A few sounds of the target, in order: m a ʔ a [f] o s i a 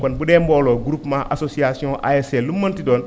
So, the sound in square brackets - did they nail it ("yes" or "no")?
no